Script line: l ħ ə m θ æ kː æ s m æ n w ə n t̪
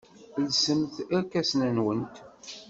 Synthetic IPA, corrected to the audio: l s ə m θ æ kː æ s n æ n w ə n t̪